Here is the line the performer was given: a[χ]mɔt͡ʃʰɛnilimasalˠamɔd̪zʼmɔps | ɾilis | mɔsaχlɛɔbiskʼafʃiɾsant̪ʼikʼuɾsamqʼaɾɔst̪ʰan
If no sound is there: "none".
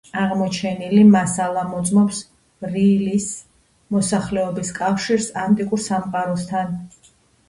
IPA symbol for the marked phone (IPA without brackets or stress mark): ʁ